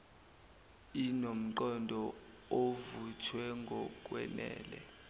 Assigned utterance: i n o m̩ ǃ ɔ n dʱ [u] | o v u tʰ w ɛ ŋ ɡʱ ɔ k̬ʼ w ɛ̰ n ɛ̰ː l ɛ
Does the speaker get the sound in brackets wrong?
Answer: yes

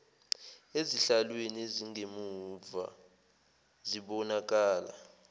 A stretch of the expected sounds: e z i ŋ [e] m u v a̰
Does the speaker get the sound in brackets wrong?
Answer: no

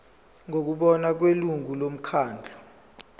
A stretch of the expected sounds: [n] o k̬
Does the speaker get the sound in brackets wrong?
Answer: yes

